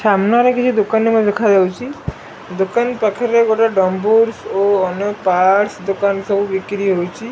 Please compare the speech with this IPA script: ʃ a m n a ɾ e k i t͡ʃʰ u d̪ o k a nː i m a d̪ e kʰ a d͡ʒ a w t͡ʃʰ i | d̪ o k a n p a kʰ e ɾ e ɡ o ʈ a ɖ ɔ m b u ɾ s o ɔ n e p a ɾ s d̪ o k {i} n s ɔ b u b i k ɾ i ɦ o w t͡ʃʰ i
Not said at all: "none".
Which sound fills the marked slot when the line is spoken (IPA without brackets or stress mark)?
a